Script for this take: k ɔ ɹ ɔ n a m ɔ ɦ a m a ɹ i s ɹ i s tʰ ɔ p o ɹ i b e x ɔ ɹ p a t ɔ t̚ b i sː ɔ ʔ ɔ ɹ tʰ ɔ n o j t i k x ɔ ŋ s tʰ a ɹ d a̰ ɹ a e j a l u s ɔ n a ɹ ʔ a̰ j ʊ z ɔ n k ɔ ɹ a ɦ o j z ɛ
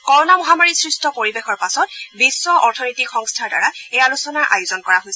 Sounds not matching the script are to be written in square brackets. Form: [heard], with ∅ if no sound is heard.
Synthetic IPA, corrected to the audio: k ɔ ɹ ɔ n a m ɔ ɦ a m a ɹ i s ɹ i s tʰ ɔ p o ɹ i b e x ɔ ɹ p a [s] ɔ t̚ b i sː ɔ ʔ ɔ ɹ tʰ ɔ n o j t i k x ɔ ŋ s tʰ a ɹ d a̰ ɹ a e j a l u s ɔ n a ɹ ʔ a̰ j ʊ z ɔ n k ɔ ɹ a ɦ o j [s] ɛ

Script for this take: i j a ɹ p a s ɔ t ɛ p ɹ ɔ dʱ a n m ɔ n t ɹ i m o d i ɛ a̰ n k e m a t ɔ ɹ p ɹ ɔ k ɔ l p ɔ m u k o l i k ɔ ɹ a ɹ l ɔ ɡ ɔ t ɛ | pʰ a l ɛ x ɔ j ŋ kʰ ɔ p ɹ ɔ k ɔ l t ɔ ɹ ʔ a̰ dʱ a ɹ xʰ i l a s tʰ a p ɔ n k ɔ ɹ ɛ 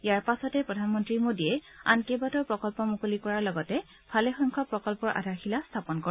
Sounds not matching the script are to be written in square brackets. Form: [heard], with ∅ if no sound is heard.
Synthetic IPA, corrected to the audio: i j a ɹ p a s ɔ t ɛ p ɹ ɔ dʱ a n m ɔ n t ɹ i m o d i ɛ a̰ n k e [b] a t ɔ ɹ p ɹ ɔ k ɔ l p ɔ m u k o l i k ɔ ɹ a ɹ l ɔ ɡ ɔ t ɛ | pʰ a l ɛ x ɔ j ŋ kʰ ɔ p ɹ ɔ k ɔ l [p] ɔ ɹ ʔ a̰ dʱ a ɹ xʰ i l a s tʰ a p ɔ n k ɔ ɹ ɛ

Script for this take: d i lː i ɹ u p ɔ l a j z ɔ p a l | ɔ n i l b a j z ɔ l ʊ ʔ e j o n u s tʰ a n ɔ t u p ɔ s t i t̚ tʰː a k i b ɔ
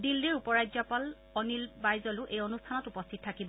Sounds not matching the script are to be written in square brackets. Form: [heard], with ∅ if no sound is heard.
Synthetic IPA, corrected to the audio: d i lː i ɹ u p ɔ [ɹ] a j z ɔ p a l | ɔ n i l b a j z ɔ l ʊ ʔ e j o n u s tʰ a n ɔ t u p ɔ s [tʰ] i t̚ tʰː a k i b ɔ

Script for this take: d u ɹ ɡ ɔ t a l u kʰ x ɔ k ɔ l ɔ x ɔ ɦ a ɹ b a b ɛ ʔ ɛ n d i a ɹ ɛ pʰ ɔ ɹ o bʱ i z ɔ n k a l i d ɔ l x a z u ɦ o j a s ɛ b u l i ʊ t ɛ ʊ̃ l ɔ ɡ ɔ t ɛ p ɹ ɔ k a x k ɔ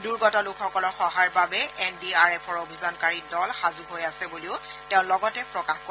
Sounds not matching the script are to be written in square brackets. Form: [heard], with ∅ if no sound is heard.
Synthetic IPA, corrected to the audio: d u ɹ ɡ ɔ t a l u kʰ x ɔ k ɔ l ɔ x ɔ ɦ a ɹ b a b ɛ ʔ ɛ n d i a ɹ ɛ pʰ ɔ ɹ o bʱ i z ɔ n k a [ɹ] i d ɔ l x a z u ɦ o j a s ɛ b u l i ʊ t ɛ ʊ̃ l ɔ ɡ ɔ t ɛ p ɹ ɔ k a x k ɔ

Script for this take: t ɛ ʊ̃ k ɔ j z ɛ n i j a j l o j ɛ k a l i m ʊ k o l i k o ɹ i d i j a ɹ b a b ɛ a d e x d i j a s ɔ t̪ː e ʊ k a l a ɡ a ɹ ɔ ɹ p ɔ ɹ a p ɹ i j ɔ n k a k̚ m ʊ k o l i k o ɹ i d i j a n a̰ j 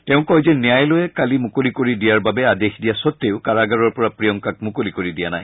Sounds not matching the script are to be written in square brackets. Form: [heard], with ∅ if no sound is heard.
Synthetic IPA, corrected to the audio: t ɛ ʊ̃ k ɔ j z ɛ n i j a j l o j ɛ k a l i m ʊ k o l i k o ɹ i d i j a ɹ b a b ɛ a d e x d i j a s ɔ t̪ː e ʊ k a [ɹ] a ɡ a ɹ ɔ ɹ p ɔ ɹ a p ɹ i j ɔ [ŋ] k a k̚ m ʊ k o l i k o ɹ i d i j a n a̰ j

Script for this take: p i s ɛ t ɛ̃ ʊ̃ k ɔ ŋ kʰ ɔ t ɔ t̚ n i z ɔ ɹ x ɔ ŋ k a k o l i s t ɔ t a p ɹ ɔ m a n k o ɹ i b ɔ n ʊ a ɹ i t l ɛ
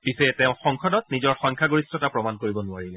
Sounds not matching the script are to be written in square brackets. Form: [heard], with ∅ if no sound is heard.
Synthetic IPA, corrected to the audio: p i s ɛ t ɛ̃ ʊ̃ [x] ɔ ŋ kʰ ɔ [d] ɔ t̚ n i z ɔ ɹ x ɔ ŋ [kʰ] a [ɡ] o [ɹ] i s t ɔ t a p ɹ ɔ m a n k o ɹ i b ɔ n ʊ a ɹ i [∅] l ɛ

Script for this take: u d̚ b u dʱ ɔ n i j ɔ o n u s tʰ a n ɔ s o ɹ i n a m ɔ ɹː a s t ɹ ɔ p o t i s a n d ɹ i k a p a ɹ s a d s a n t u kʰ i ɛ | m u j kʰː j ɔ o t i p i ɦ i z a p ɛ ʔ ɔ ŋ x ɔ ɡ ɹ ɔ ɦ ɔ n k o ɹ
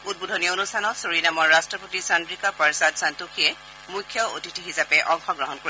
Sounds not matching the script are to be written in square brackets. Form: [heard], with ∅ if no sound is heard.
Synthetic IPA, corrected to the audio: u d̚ b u dʱ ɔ n i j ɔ o n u s tʰ a n ɔ s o ɹ i n a m ɔ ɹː a s t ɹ ɔ p o t i s a n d ɹ i k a p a ɹ s a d s a n t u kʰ i ɛ | m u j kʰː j ɔ o t i [t] i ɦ i z a p ɛ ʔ ɔ ŋ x ɔ ɡ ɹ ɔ ɦ ɔ n k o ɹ

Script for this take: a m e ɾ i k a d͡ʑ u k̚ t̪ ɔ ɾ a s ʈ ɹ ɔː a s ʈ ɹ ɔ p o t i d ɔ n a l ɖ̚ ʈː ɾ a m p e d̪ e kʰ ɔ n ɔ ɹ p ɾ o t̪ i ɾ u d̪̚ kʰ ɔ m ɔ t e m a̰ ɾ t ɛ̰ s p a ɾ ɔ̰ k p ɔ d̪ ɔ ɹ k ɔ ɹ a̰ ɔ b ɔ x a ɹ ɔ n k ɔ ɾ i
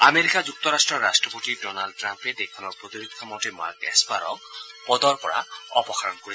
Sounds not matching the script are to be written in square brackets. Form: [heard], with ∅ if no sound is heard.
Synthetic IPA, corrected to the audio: a m e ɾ i k a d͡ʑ u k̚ t̪ ɔ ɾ a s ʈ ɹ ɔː a s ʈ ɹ ɔ p o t i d ɔ n a l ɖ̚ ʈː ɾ a m p e d̪ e kʰ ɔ n ɔ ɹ p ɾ o t̪ i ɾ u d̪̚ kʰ ɔ m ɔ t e m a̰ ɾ [k] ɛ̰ s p a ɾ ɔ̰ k p ɔ d̪ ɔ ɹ k ɔ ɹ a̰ ɔ [p] ɔ x a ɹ ɔ n k [o] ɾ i

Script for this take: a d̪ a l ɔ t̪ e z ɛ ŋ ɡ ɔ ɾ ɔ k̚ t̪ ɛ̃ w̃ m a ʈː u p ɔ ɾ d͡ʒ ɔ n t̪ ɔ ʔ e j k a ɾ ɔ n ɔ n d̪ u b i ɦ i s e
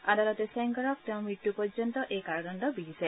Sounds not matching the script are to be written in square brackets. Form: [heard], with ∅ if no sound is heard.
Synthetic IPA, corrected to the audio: a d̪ a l ɔ t̪ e [s] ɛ ŋ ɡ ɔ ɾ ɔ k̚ t̪ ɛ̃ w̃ m [i] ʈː u p ɔ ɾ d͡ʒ ɔ n t̪ ɔ ʔ e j k a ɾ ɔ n ɔ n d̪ [ɔ] b i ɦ i s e

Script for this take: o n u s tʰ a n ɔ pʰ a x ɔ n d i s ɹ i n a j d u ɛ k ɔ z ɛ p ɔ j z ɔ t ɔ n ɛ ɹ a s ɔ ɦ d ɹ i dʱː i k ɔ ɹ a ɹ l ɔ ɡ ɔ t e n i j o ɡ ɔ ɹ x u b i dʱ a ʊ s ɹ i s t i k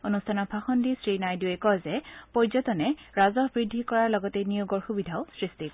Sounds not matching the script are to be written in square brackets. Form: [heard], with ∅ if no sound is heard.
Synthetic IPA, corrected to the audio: o n u s tʰ a n ɔ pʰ a x ɔ n d i s ɹ i n a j d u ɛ k ɔ z ɛ p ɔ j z ɔ t ɔ n ɛ ɹ a [z] ɔ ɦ [b] ɹ i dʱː i k ɔ ɹ a ɹ l ɔ ɡ ɔ t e n i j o ɡ ɔ ɹ x u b i dʱ a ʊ s ɹ i s t i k

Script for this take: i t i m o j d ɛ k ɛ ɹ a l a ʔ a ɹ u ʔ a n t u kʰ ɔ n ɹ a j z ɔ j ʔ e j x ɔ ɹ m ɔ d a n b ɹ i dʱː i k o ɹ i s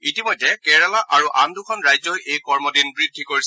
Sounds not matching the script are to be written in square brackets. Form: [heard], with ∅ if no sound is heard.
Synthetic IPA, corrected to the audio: i t i m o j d ɛ k ɛ ɹ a l a ʔ a ɹ u ʔ a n [d] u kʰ ɔ n ɹ a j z ɔ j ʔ e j [k] ɔ ɹ m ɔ d [i] n b ɹ i dʱː i k o ɹ i s

